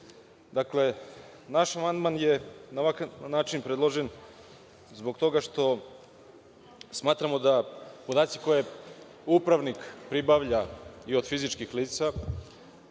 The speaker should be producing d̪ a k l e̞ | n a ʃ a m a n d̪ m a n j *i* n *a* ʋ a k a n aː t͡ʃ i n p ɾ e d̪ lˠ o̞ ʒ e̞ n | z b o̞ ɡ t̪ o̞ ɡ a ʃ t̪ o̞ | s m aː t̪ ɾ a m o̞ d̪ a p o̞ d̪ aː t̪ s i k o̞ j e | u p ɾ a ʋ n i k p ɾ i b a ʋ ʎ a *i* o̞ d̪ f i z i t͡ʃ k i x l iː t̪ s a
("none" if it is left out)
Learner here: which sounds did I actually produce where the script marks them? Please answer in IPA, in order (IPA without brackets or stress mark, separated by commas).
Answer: e, a, i